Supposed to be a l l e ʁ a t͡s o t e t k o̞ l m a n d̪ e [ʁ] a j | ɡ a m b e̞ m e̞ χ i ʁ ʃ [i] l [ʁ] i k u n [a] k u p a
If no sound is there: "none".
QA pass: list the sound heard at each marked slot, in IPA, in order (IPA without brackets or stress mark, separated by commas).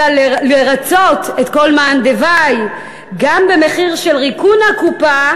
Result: v, e, ʁ, a